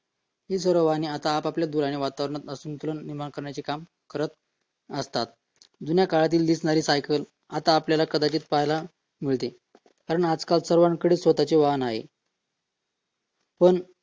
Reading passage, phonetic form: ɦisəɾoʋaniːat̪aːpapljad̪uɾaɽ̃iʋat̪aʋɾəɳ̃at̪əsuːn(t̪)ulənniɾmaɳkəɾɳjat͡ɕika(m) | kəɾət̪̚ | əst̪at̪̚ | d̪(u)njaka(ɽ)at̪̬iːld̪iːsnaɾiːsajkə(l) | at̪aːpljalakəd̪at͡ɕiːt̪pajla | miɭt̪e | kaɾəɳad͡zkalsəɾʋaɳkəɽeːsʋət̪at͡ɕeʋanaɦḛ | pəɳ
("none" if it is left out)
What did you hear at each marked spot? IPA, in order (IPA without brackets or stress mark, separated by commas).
t̪, m, u, ɭ, l